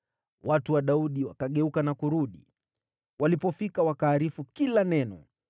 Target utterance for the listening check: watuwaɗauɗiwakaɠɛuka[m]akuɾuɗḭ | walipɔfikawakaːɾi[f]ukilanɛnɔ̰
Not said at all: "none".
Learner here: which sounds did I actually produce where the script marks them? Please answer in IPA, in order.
n, f

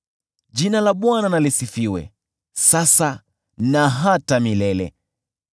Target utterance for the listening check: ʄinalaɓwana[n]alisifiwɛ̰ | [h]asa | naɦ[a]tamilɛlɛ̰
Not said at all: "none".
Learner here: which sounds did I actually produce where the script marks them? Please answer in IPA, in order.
n, s, a

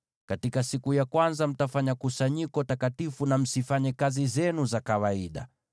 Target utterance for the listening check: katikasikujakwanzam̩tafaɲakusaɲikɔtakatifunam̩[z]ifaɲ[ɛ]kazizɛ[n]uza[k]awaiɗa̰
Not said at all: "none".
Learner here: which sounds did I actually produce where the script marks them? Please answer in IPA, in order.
s, ɛ, n, k

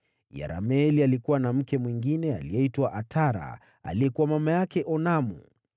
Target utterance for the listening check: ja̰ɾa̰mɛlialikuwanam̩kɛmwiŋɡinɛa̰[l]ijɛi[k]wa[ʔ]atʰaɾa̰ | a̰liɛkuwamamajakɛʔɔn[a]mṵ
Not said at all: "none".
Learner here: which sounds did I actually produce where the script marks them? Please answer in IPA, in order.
l, t, ʔ, a

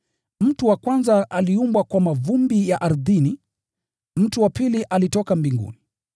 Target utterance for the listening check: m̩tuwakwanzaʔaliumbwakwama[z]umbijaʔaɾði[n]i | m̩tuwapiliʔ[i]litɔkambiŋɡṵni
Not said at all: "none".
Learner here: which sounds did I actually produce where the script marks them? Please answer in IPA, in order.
v, n, a

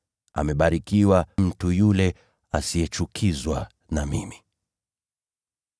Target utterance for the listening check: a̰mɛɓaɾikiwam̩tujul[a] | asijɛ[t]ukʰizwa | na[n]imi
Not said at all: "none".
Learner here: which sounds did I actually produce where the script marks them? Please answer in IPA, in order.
ɛ, t͡ʃ, m

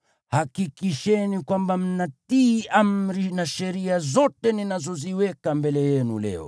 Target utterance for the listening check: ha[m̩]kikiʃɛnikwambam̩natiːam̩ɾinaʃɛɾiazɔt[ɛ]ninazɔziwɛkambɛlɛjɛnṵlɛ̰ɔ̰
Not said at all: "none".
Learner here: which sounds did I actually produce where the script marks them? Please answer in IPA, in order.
none, ɛ

